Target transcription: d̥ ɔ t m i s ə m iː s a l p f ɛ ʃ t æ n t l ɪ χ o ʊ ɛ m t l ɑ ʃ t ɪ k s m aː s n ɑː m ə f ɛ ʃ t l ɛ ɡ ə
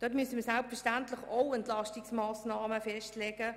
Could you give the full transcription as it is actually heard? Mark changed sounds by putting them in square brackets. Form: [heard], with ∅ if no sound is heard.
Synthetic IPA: d̥ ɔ t m [y] s ə m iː s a l p f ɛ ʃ t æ n t l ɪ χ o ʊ ɛ [n] t l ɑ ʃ t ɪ k s m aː s n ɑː m ə f ɛ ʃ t l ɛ ɡ ə